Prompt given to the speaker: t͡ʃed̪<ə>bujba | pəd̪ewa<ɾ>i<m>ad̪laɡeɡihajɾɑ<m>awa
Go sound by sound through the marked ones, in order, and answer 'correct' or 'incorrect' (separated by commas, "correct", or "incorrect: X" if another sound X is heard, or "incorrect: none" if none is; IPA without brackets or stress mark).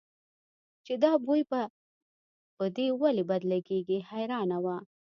incorrect: ɑ, incorrect: l, incorrect: b, incorrect: n